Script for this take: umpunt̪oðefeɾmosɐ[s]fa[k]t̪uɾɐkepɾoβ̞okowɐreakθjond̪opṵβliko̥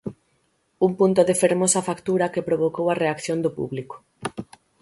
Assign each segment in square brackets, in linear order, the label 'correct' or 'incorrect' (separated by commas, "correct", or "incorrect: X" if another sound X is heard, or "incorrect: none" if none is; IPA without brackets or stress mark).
incorrect: none, correct